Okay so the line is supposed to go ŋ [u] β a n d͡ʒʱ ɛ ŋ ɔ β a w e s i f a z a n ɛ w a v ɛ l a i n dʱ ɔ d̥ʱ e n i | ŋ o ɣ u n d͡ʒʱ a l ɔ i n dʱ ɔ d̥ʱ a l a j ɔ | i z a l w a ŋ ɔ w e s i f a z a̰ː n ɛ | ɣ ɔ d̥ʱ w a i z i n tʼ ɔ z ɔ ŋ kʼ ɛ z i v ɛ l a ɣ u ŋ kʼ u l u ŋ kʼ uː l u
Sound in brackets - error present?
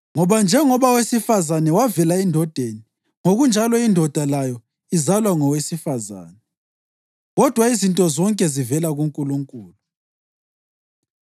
yes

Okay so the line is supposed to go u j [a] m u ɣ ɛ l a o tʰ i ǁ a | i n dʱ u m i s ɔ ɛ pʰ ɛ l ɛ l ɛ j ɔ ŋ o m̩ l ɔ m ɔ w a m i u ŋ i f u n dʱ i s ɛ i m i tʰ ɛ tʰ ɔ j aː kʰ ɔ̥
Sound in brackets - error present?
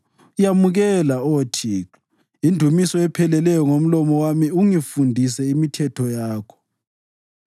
no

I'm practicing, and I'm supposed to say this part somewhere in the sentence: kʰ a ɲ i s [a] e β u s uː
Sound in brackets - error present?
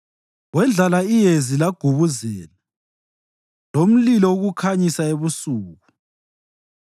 no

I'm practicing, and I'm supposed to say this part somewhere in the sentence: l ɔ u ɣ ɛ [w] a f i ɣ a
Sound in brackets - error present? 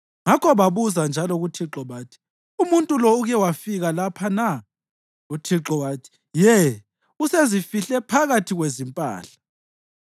no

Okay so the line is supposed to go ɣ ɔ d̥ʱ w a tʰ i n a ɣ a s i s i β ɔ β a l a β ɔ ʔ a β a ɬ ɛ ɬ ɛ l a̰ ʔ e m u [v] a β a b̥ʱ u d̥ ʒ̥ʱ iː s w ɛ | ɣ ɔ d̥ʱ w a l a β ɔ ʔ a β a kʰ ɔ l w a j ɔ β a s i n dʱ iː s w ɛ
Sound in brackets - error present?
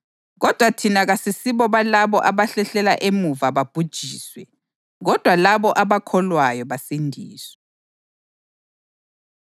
no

